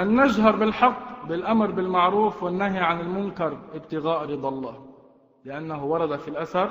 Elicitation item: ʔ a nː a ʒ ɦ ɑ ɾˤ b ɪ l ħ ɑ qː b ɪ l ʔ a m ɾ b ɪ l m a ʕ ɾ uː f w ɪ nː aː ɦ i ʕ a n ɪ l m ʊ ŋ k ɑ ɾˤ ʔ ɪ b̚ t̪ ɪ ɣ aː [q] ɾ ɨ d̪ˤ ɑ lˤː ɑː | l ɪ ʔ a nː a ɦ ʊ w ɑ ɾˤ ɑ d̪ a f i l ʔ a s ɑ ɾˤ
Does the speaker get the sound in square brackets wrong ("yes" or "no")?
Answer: yes